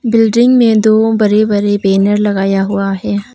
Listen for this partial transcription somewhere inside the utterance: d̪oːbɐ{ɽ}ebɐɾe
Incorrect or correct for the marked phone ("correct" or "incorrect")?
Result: incorrect